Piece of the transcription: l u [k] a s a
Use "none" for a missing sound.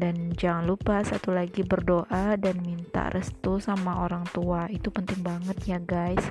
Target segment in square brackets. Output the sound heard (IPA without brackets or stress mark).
p